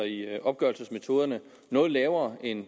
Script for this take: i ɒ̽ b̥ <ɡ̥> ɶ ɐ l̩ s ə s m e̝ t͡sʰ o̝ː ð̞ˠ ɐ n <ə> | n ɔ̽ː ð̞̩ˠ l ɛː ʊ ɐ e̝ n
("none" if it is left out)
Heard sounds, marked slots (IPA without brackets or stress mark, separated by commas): ɡ̥, ə